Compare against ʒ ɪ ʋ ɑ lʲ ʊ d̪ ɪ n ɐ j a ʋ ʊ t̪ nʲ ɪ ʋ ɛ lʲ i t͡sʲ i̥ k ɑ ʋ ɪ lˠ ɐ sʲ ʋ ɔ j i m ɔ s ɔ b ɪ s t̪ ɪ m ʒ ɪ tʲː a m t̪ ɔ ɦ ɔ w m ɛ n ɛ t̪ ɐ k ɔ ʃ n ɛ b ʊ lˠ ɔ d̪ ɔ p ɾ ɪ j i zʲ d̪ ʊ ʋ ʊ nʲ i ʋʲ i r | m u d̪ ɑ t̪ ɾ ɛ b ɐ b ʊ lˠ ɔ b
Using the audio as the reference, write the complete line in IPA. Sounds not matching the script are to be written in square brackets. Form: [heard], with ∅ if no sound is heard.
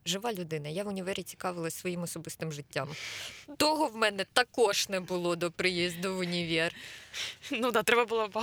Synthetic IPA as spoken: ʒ ɪ ʋ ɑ lʲ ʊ d̪ ɪ n ɐ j a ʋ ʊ [∅] nʲ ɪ ʋ ɛ [ɾʲ] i t͡sʲ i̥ k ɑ ʋ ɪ lˠ ɐ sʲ ʋ ɔ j i m ɔ s ɔ b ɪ s t̪ ɪ m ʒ ɪ tʲː a m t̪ ɔ ɦ ɔ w m ɛ n ɛ t̪ ɐ k ɔ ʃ n ɛ b ʊ lˠ ɔ d̪ ɔ p ɾ ɪ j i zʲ d̪ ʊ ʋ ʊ nʲ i ʋʲ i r | [n] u d̪ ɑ t̪ ɾ ɛ b ɐ b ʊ lˠ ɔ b